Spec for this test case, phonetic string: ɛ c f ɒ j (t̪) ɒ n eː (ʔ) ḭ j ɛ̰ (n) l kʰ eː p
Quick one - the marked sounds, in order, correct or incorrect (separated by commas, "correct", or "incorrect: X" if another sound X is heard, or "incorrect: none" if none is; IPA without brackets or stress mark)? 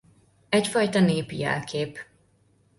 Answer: correct, incorrect: p, incorrect: none